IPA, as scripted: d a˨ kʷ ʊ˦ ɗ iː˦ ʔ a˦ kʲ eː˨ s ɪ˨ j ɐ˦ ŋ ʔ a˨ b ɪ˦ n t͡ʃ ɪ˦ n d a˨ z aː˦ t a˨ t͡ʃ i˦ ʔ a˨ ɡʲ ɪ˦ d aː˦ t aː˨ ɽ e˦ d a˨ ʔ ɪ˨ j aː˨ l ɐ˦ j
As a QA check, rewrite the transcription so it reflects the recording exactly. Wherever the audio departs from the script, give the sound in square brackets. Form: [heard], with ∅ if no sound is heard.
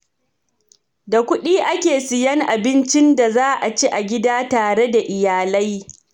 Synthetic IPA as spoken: d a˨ kʷ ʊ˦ ɗ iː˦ ʔ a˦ kʲ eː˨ s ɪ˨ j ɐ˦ ŋ ʔ a˨ b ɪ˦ n t͡ʃ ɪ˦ n d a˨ z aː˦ [ʔ] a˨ t͡ʃ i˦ ʔ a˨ ɡʲ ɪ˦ d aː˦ t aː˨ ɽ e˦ d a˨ ʔ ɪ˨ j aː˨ l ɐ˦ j

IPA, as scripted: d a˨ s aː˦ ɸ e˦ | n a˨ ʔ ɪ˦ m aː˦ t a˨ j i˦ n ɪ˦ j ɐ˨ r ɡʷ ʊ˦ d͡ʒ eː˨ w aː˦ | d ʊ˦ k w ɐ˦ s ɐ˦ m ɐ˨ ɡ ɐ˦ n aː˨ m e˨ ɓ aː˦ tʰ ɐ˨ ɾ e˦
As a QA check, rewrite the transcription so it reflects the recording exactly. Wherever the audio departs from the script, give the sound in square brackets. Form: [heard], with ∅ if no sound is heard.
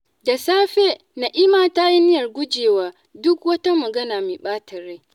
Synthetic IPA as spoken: d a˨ s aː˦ ɸ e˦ | n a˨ ʔ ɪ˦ m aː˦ t [a˦] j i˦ n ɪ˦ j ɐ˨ r ɡʷ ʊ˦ d͡ʒ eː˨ w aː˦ | d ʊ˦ k w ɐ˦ [t] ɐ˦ m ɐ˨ ɡ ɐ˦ n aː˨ m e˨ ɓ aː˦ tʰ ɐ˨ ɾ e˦

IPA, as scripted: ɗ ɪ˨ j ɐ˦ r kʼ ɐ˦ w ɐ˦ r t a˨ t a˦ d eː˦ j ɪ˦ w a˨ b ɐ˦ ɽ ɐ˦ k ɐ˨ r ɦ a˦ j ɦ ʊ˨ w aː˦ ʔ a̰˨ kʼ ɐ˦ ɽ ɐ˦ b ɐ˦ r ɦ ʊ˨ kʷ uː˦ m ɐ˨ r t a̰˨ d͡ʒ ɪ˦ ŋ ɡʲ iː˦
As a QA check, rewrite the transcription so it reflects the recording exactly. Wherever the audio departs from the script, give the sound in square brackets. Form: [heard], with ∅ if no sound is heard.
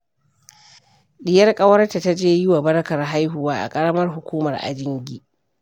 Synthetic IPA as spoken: ɗ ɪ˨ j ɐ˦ r kʼ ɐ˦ w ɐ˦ r t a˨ t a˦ [d͡ʒ] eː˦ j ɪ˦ w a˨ b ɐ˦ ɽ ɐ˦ k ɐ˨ r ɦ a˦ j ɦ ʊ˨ w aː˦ ʔ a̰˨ kʼ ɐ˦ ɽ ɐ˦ [m] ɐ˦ r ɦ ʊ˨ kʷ uː˦ m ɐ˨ r [ʔ] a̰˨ d͡ʒ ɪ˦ ŋ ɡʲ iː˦

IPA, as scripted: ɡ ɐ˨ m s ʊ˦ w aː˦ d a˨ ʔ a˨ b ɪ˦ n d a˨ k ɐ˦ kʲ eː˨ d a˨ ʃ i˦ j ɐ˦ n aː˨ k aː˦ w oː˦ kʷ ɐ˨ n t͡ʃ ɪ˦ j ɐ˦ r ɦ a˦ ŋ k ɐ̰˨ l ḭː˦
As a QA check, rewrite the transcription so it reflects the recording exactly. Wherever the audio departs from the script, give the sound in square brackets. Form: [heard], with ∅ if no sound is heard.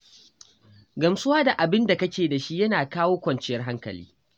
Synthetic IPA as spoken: ɡ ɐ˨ m s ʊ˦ w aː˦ d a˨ ʔ a˨ b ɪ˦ n d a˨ k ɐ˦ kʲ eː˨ d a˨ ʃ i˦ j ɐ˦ n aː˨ k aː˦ w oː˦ kʷ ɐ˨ n t͡ʃ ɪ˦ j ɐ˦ r ɦ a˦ ŋ k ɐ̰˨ l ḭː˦

